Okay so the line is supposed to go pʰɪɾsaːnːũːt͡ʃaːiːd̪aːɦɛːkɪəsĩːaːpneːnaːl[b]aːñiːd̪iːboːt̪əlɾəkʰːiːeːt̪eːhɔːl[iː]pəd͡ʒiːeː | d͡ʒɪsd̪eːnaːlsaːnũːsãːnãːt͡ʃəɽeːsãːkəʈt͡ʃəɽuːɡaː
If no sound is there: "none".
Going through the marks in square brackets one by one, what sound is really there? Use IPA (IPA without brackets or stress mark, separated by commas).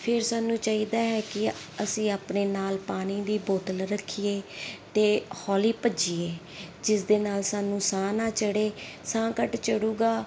p, iː